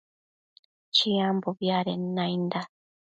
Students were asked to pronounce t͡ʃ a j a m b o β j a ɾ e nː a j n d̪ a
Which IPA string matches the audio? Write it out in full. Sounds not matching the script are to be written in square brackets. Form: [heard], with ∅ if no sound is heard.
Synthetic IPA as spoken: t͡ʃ [i] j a m b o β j a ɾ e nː a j n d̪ a